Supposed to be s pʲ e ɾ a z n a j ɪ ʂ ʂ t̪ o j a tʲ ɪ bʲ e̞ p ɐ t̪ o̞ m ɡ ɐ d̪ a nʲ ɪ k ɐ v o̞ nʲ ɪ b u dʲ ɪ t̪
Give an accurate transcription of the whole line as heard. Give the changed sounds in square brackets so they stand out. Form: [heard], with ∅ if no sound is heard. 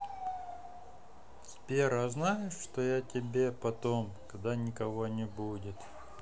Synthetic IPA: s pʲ e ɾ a z n a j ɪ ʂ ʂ t̪ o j a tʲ ɪ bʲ e̞ p ɐ t̪ o̞ m [k] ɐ d̪ a nʲ ɪ k ɐ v o̞ nʲ ɪ b u dʲ ɪ t̪